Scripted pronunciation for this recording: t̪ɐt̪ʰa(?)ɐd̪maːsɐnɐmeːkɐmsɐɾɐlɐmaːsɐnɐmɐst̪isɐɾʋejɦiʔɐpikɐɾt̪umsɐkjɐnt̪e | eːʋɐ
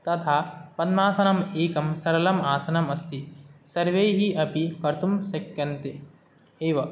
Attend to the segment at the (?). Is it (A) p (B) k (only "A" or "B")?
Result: A